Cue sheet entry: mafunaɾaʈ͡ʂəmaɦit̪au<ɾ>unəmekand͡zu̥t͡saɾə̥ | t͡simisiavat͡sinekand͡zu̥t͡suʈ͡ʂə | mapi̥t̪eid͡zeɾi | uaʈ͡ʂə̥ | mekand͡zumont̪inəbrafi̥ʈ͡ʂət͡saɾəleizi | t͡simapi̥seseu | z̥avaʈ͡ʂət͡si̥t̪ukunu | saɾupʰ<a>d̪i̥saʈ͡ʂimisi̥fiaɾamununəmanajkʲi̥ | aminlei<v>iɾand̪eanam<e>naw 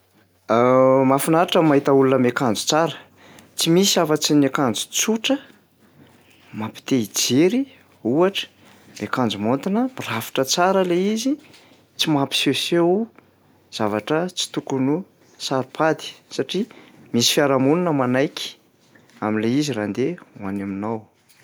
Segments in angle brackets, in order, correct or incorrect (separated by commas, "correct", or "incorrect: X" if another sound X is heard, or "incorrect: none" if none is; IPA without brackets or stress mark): incorrect: l, correct, incorrect: z, incorrect: i